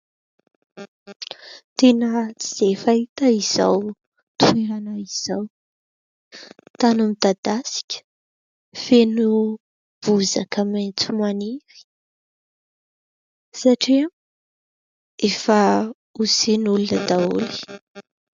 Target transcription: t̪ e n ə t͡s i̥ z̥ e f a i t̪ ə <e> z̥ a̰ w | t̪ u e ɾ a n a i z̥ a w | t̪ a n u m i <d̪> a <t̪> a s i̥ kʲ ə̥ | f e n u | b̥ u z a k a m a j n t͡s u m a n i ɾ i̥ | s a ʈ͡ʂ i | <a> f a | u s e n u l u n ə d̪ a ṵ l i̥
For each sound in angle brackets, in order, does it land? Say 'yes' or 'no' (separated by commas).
no, yes, no, no